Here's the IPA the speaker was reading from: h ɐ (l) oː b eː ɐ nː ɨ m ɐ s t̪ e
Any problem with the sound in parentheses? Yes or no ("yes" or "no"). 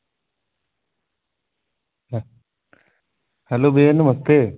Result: no